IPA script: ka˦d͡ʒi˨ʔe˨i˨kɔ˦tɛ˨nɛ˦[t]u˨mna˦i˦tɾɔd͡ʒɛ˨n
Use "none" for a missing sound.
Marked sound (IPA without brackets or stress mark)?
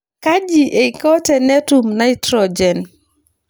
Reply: t